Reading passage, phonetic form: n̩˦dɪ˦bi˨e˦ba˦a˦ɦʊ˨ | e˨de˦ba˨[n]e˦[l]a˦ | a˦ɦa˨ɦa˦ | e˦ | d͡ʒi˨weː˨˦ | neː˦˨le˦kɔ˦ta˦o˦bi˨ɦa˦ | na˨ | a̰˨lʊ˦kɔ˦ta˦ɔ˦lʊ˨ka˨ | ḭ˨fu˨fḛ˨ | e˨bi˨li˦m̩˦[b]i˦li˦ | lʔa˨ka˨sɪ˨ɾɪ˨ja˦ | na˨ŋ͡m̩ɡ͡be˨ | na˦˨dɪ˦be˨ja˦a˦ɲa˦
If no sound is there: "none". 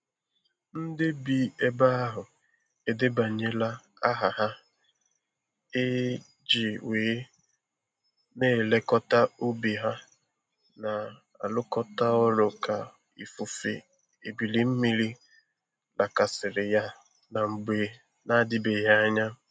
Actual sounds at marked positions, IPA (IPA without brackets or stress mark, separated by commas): ɲ, l, m